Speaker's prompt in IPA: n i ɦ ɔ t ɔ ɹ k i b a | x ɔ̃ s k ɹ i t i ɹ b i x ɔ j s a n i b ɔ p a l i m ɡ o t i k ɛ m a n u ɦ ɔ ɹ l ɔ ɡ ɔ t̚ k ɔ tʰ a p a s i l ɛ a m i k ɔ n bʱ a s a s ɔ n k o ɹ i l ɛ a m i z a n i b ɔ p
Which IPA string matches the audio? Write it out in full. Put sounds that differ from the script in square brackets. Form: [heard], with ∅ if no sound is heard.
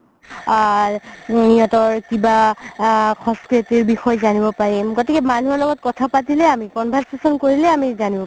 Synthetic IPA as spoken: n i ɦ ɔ t ɔ ɹ k i b a | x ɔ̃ s k ɹ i t i ɹ b i x ɔ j [z] a n i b ɔ p a [ɹ] i m ɡ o t i k ɛ m a n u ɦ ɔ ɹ l ɔ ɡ ɔ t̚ k ɔ tʰ a p a [t] i l ɛ a m i k ɔ n bʱ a s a s ɔ n k o ɹ i l ɛ a m i z a n i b ɔ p